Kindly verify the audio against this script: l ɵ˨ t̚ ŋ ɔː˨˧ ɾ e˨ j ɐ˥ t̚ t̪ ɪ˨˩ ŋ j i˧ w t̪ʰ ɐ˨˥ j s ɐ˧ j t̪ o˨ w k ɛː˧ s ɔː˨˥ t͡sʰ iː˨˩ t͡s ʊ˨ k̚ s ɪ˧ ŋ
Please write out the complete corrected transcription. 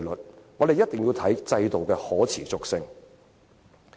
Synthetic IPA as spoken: l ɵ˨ t̚ ŋ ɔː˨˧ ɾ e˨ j ɐ˥ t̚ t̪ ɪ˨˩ ŋ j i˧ w t̪ʰ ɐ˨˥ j t͡s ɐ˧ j t̪ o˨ w k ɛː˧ h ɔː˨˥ t͡sʰ iː˨˩ t͡s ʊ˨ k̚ s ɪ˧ ŋ